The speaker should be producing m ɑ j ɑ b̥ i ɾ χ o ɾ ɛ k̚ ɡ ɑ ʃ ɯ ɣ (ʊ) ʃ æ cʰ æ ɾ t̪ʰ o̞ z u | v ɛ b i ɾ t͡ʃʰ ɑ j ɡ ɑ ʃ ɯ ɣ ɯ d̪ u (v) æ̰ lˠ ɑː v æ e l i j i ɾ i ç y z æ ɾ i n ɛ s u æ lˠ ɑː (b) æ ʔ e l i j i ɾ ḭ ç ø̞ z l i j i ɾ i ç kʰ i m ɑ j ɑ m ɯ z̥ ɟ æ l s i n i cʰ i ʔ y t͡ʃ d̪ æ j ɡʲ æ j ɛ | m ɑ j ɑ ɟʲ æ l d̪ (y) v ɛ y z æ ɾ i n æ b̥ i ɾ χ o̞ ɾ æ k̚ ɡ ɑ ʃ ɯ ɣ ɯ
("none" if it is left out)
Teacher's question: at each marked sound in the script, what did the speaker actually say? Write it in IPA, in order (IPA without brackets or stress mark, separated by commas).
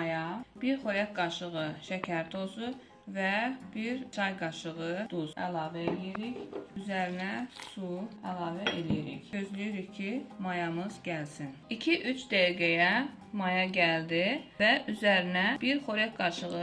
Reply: ɯ, z, v, i